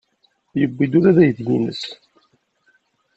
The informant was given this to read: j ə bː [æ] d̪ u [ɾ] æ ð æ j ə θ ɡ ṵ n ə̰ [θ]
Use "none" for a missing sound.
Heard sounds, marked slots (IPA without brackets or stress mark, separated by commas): i, ɾ, s